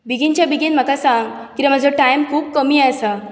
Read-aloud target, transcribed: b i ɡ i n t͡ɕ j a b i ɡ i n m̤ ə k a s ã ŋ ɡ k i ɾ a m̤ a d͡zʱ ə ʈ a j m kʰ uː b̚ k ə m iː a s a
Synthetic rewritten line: b i ɡ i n t͡ɕ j a b i ɡ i n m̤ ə k a s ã ŋ ɡ k i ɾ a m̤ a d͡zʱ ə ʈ a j m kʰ uː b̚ k ə m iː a s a